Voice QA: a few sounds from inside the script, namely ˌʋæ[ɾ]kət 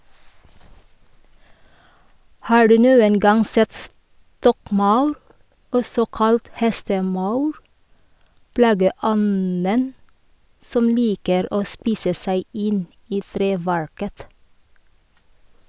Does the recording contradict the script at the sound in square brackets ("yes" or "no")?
yes